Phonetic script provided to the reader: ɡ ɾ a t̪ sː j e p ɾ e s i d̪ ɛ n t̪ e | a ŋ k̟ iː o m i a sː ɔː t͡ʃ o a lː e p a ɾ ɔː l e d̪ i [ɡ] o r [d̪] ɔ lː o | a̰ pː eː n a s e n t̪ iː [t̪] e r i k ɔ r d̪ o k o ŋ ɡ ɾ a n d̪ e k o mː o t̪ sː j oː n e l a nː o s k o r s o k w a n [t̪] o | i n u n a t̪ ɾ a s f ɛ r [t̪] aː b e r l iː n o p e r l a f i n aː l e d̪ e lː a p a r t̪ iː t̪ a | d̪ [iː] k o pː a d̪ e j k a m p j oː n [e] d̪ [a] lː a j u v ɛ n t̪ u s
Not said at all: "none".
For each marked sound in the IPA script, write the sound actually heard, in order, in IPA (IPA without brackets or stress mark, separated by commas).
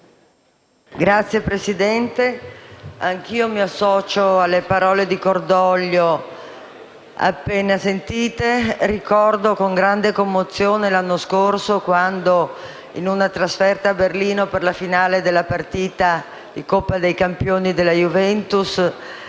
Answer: k, d̪, t̪, d̪, t̪, i, i, e